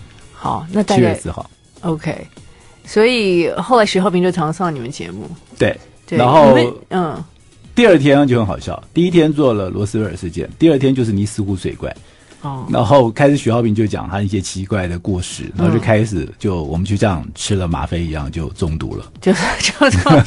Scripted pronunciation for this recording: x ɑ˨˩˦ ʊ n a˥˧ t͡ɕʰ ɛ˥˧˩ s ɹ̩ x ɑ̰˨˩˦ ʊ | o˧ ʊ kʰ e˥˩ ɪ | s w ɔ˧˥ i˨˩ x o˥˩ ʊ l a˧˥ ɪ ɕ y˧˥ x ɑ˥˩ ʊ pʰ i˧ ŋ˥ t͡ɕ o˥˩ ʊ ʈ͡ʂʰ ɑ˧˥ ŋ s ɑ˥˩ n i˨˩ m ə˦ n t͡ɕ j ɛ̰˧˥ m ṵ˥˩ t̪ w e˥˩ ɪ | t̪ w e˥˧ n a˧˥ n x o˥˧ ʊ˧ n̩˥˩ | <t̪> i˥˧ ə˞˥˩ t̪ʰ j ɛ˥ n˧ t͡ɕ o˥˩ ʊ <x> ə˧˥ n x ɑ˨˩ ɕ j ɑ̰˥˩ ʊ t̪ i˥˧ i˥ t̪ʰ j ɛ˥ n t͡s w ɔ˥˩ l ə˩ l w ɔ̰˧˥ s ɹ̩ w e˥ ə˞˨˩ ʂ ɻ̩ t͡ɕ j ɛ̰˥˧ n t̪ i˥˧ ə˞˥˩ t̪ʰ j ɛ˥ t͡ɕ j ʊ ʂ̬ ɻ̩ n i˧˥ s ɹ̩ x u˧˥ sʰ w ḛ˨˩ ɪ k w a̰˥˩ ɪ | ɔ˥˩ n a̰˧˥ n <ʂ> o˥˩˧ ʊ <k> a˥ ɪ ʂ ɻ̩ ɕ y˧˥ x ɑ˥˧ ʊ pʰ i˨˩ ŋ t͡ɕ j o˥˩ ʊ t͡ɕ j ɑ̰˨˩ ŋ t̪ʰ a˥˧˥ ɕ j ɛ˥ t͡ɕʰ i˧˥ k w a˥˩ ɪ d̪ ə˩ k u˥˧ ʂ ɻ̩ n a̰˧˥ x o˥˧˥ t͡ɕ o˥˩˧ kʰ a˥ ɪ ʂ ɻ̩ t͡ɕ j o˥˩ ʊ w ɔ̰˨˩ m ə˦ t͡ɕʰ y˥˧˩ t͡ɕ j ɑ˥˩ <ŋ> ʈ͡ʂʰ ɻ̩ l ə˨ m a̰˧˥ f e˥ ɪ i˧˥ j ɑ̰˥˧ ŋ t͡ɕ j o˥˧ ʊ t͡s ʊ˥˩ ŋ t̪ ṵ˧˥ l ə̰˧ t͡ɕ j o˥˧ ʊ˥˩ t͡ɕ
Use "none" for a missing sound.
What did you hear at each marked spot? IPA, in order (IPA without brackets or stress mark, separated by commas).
t̪, x, x, kʰ, ŋ